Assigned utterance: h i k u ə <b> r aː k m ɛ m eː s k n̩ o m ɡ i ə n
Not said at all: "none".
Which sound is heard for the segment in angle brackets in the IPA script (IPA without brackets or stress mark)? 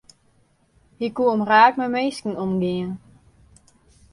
m